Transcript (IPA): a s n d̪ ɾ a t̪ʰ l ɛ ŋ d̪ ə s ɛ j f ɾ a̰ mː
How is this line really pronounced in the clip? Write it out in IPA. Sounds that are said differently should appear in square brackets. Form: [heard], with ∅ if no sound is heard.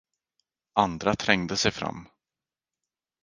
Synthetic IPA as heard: a [∅] n d̪ ɾ a t̪ʰ [ɾ] ɛ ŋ d̪ ə s ɛ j f ɾ a̰ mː